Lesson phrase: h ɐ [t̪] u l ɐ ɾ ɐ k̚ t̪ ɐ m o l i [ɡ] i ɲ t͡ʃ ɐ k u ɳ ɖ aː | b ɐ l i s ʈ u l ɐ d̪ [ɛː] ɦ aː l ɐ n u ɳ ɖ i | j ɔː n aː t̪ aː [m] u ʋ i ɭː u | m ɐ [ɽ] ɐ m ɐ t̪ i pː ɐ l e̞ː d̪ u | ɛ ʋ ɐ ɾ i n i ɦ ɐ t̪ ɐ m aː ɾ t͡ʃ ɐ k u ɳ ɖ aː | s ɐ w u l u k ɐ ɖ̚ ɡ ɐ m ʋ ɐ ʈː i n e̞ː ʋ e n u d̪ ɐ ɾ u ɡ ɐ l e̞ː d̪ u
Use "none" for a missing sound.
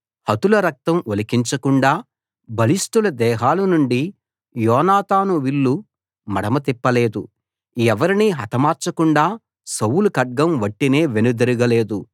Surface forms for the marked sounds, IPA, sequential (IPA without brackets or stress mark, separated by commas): t̪, k, ɛː, n, ɽ